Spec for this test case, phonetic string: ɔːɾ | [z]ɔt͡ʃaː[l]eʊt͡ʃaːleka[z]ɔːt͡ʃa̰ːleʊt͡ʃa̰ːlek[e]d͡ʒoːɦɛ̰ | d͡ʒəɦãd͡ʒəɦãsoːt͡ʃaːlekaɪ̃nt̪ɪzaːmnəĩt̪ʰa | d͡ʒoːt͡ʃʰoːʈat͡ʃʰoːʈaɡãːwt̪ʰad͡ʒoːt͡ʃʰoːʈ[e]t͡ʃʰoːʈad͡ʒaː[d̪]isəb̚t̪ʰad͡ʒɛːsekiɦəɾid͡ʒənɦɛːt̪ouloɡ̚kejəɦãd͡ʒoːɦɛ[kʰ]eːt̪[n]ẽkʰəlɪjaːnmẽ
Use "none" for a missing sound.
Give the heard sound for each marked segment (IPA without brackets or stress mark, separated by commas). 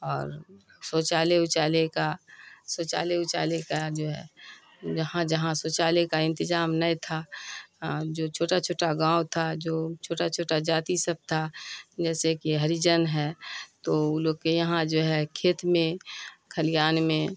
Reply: s, l, s, a, a, t̪, kʰ, m